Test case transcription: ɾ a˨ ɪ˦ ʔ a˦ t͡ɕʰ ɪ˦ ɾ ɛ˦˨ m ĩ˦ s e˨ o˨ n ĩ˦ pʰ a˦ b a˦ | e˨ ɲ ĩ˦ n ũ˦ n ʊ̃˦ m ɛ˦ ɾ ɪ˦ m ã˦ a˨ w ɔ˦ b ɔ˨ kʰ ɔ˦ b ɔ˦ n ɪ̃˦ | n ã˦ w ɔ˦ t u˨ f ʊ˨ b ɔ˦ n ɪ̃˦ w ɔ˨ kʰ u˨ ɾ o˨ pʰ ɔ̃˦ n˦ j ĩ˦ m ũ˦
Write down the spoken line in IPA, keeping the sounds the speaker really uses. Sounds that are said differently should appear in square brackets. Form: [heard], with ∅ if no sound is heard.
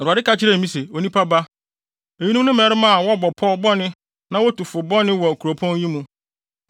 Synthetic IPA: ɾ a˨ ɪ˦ [k] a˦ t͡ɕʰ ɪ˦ ɾ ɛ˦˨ m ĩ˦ s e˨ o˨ n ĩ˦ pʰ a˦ b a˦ | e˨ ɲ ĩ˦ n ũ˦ n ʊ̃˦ m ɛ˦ ɾ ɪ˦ m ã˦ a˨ w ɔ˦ b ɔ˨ [pʰ] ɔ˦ b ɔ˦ n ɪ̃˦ | n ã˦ w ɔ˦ t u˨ f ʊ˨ b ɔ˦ n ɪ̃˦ w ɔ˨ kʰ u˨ ɾ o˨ pʰ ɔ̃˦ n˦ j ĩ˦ m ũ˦